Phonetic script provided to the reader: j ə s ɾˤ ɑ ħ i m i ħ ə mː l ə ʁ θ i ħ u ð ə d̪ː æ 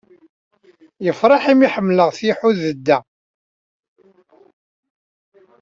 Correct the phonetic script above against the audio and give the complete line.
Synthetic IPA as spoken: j ə f ɾˤ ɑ ħ i m i ħ ə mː l ə ʁ θ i ħ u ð ə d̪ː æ